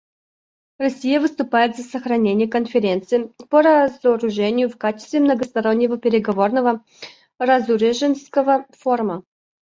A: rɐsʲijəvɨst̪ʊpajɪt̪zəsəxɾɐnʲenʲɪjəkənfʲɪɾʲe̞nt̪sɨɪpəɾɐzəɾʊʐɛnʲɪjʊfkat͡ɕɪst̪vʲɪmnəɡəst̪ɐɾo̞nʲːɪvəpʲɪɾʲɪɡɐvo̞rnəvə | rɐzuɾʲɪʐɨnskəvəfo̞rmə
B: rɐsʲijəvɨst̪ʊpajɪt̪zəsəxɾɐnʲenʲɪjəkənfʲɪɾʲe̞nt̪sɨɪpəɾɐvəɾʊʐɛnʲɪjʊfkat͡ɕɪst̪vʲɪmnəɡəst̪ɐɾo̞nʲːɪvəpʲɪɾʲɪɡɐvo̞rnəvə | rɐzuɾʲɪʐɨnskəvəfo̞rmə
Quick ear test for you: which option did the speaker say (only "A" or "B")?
A